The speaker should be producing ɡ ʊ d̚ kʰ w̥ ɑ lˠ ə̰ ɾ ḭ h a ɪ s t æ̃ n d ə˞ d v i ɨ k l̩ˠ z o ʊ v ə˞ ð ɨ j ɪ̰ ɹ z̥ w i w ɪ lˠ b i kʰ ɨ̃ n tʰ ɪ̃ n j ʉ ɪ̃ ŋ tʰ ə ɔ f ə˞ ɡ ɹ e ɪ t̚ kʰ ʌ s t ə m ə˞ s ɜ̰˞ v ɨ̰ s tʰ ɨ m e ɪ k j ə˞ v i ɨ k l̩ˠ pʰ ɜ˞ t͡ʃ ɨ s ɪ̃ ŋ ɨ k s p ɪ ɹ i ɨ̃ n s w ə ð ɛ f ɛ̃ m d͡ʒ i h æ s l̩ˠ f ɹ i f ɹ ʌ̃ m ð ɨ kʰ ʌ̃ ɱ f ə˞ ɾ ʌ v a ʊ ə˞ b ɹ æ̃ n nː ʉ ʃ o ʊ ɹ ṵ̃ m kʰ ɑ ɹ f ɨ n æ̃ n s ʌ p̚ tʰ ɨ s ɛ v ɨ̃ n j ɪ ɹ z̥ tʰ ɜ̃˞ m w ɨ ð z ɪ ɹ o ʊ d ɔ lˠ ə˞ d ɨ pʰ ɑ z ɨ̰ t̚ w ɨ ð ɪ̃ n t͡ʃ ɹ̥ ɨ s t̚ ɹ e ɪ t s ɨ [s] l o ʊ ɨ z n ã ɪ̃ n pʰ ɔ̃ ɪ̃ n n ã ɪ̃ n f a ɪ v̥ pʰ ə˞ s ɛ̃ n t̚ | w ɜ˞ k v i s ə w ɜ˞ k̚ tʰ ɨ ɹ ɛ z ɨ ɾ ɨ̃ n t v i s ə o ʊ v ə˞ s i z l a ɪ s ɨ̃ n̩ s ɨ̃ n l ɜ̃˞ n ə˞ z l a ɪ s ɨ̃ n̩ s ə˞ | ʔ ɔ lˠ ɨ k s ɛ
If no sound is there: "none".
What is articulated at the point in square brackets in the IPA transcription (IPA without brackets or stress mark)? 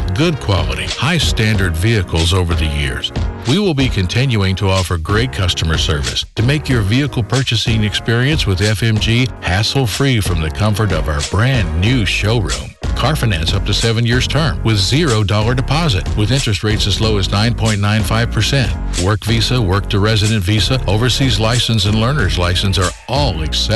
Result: z